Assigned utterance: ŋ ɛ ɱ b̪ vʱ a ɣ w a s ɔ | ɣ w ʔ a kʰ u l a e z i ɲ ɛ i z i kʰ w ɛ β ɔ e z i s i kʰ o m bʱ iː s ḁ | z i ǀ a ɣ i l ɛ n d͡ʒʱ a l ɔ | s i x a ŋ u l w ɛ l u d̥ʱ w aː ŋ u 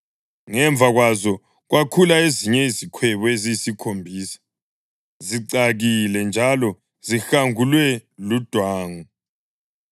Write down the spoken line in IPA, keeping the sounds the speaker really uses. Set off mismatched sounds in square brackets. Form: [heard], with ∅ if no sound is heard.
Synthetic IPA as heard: ŋ ɛ ɱ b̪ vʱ a ɣ w a [z] ɔ | ɣ w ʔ a kʰ u l a e z i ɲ ɛ i z i kʰ w ɛ β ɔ e z i s i kʰ o m bʱ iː s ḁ | z i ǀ a ɣ i l ɛ n d͡ʒʱ a l ɔ | [z] i x a ŋ u l w ɛ l u d̥ʱ w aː ŋ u